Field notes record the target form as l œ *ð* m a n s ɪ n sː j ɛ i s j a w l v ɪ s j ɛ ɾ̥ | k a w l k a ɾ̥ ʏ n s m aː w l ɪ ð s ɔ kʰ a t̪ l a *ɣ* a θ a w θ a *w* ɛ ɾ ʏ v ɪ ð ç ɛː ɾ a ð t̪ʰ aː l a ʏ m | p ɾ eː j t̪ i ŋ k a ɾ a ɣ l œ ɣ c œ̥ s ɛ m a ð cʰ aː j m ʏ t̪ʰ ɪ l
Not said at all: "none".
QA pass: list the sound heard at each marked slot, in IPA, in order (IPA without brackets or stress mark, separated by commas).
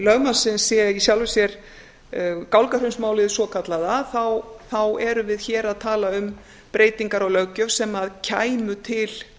ɣ, ð, w